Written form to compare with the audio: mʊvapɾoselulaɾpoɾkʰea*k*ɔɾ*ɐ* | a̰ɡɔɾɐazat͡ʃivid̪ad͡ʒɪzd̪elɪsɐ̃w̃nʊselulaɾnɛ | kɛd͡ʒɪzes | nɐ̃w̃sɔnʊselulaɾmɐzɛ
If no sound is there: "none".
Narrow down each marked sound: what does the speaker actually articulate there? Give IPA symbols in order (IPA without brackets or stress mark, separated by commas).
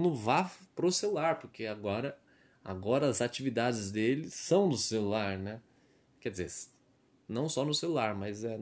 ɡ, ɐ